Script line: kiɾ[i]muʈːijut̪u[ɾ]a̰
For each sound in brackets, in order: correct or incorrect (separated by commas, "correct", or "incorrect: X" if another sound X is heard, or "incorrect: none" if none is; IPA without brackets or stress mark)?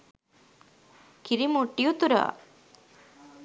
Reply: correct, correct